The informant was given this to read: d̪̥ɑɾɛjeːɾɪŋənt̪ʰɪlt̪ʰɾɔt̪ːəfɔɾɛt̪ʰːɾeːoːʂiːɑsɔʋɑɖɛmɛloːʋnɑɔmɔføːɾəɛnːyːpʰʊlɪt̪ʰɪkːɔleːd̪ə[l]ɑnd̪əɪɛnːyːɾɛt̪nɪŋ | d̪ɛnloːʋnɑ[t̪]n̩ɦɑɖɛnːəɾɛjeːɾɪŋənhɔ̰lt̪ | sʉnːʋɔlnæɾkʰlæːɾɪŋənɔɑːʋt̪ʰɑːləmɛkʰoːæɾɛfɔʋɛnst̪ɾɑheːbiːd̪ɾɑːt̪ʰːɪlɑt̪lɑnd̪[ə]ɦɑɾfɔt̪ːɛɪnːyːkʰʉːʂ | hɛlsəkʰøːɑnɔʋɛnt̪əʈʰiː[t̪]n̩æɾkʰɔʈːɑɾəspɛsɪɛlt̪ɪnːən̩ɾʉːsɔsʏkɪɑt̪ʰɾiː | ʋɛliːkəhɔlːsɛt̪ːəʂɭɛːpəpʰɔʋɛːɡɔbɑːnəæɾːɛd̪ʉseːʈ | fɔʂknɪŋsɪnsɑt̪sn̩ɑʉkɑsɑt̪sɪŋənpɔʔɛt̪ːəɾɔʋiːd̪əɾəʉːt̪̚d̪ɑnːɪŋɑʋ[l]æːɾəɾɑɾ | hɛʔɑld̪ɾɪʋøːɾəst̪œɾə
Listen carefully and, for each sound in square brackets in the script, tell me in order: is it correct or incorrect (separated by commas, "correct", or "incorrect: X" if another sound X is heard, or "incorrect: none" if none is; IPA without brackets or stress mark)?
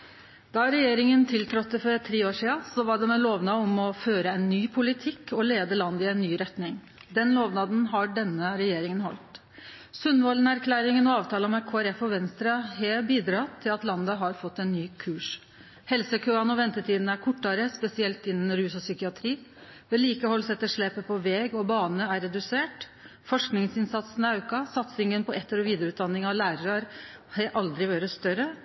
correct, incorrect: d̪, correct, incorrect: d̪, correct